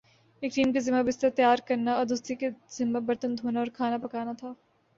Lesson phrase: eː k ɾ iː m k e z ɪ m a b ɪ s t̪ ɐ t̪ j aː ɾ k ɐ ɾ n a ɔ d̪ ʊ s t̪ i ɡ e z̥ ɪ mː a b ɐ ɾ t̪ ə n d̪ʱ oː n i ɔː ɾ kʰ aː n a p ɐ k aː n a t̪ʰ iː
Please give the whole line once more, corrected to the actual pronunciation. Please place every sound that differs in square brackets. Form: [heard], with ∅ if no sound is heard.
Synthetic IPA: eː k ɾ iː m k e z ɪ m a b ɪ s t̪ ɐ t̪ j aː ɾ k ɐ ɾ n a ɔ d̪ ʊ s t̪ i [k] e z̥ ɪ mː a b ɐ ɾ t̪ ə n d̪ʱ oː n [a] ɔː ɾ kʰ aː n a p ɐ k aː n a t̪ʰ [aː]